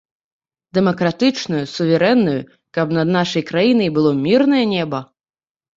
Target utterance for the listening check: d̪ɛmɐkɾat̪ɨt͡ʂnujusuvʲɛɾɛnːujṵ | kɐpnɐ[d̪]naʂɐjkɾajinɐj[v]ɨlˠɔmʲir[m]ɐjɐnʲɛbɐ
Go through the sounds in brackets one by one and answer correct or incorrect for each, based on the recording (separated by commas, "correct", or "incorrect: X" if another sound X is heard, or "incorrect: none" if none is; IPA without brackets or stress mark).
correct, incorrect: b, incorrect: n